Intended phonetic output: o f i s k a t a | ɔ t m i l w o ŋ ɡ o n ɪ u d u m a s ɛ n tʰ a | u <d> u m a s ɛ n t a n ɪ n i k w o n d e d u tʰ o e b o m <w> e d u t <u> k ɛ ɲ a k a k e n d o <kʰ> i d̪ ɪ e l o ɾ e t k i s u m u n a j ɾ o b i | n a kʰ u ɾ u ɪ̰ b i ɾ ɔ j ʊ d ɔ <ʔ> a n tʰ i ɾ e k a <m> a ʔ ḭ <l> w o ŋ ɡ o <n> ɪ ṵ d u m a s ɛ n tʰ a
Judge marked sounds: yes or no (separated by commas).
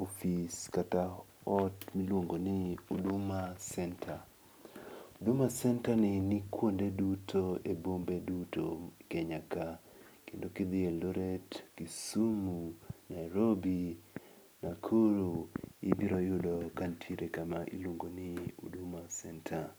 yes, no, no, no, no, yes, yes, yes